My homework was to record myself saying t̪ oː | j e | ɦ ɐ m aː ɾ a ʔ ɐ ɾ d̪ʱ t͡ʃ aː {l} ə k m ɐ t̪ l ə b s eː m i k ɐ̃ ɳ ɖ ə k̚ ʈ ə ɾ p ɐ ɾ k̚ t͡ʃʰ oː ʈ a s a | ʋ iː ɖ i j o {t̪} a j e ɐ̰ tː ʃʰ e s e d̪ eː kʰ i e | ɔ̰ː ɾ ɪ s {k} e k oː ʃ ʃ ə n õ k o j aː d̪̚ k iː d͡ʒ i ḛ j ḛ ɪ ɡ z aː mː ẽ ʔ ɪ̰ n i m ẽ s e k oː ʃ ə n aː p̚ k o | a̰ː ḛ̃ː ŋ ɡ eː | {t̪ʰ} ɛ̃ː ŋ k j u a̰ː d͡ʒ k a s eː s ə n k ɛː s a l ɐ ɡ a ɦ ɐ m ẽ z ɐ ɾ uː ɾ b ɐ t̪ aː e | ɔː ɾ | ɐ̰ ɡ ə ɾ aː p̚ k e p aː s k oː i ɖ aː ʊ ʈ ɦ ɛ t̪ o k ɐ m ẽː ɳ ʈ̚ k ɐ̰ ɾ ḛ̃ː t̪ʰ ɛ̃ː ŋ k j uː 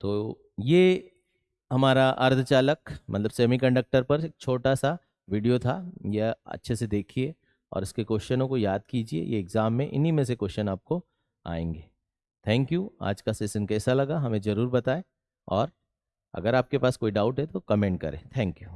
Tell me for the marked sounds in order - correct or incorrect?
correct, incorrect: t̪ʰ, correct, correct

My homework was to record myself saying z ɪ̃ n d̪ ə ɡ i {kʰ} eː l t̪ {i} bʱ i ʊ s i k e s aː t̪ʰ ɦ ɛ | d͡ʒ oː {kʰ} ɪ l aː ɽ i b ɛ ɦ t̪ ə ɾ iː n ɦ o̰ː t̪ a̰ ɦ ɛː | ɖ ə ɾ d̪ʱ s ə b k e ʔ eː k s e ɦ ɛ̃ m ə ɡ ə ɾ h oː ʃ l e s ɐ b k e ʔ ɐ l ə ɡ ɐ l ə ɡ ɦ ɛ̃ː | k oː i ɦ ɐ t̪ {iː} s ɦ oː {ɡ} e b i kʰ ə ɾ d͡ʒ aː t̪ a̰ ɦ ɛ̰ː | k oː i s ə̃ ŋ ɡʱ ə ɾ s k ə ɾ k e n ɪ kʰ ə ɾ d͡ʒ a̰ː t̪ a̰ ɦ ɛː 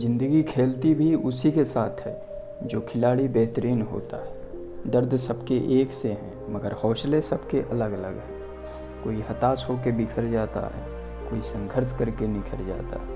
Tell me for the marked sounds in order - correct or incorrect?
correct, correct, correct, incorrect: aː, incorrect: k

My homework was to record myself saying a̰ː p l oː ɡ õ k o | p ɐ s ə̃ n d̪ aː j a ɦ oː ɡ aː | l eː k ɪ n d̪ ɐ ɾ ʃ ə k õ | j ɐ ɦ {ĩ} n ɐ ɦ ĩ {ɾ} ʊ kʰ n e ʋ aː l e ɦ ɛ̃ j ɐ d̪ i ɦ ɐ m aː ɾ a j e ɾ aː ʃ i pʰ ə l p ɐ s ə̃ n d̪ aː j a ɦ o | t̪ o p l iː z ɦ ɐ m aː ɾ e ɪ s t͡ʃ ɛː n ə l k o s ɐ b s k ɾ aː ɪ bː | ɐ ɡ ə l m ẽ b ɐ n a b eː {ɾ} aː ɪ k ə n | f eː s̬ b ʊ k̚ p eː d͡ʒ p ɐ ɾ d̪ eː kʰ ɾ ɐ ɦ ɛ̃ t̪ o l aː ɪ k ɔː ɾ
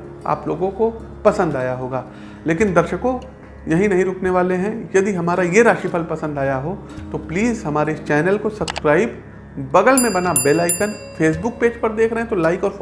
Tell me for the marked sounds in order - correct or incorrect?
correct, correct, incorrect: l

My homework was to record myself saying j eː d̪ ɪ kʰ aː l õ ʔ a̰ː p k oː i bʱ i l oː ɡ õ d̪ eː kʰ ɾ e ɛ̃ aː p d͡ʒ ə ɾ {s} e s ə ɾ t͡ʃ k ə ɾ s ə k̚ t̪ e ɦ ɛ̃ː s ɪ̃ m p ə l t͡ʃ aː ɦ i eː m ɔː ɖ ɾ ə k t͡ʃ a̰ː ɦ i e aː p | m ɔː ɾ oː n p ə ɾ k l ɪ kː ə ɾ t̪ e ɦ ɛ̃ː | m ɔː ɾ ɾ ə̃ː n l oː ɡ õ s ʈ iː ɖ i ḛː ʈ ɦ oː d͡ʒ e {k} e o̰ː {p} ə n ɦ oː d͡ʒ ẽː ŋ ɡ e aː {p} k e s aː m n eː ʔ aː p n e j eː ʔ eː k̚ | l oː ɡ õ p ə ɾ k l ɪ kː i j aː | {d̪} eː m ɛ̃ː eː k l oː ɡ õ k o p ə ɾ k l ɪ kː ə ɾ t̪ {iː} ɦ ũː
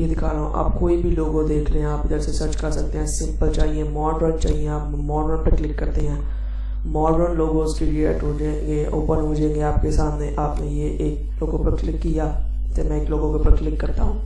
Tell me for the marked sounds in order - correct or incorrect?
correct, incorrect: ɡ, correct, correct, incorrect: t̪, incorrect: aː

